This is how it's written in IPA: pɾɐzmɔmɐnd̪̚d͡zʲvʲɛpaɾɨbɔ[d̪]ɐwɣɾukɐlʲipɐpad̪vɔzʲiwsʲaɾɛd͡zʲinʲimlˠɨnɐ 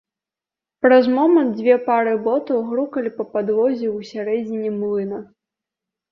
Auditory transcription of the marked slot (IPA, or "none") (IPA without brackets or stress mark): t̪